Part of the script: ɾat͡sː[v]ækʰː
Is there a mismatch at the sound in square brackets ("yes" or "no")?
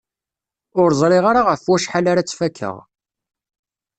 yes